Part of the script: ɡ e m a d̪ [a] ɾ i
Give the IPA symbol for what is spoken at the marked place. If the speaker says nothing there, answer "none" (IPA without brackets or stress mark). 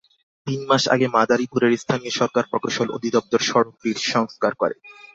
a